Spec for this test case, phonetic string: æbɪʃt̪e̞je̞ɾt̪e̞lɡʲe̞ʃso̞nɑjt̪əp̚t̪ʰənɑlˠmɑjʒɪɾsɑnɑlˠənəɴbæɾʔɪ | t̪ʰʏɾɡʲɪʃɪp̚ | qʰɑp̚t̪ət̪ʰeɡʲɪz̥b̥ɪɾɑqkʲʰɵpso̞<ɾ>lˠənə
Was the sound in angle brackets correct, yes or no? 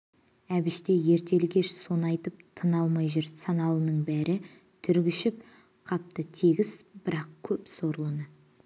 yes